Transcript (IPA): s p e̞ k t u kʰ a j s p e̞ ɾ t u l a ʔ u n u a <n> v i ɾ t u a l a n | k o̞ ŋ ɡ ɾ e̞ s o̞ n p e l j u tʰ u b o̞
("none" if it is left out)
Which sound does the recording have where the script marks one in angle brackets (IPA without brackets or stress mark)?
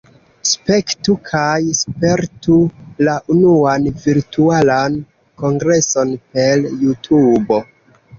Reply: n